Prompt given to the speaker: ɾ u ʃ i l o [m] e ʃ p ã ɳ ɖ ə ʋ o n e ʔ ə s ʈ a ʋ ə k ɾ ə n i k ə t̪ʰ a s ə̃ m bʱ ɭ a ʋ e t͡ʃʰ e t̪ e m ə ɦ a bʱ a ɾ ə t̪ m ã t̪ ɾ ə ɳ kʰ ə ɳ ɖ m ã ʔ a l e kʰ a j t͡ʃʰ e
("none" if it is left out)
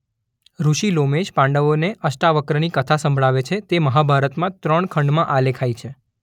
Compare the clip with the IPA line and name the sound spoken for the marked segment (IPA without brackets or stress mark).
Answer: m